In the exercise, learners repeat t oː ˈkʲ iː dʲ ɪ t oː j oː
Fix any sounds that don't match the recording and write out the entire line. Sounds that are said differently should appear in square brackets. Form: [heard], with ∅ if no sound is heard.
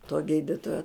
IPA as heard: t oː [ˈɡʲ] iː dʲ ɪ t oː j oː

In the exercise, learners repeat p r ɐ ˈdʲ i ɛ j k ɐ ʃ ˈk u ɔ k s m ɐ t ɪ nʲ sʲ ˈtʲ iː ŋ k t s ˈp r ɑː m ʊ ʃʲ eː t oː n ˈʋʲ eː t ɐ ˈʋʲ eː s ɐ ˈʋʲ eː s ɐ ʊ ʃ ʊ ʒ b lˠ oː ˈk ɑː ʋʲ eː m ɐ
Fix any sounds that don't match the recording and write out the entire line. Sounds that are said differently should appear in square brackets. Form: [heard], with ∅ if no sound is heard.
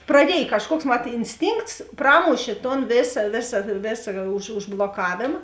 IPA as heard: p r ɐ ˈdʲ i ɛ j k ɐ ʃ ˈk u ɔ k s m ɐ t ɪ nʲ sʲ ˈtʲ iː ŋ k t s ˈp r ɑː m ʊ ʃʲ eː t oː n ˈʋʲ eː [s] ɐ ˈʋʲ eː s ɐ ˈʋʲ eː s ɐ ʊ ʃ ʊ ʒ b lˠ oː ˈk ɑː ʋʲ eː m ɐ

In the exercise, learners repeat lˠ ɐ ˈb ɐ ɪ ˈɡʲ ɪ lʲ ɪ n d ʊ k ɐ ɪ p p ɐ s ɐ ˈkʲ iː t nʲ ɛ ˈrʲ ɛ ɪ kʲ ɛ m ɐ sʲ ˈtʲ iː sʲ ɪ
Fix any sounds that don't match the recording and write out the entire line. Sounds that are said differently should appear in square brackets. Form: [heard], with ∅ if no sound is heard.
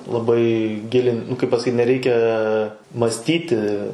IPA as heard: lˠ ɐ ˈb ɐ ɪ ˈɡʲ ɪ lʲ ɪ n [n] ʊ k ɐ ɪ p p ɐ s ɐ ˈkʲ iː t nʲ ɛ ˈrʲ ɛ ɪ kʲ ɛ m ɐ sʲ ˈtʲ iː [tʲ] ɪ

